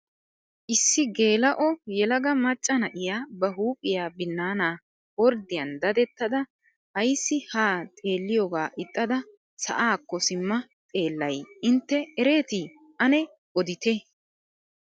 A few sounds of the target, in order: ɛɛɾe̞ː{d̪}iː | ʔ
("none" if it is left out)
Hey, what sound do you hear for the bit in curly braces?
t̪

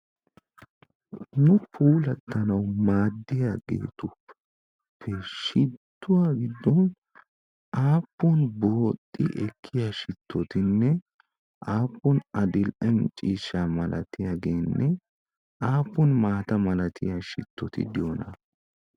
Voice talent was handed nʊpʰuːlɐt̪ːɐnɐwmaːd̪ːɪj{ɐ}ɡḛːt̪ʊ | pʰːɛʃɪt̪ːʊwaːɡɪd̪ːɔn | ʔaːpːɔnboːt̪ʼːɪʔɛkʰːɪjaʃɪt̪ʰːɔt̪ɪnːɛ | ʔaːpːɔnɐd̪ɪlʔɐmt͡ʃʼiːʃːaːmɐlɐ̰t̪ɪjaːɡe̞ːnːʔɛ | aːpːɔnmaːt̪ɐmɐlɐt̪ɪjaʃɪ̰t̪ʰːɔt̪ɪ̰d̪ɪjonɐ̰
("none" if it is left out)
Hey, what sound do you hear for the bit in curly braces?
a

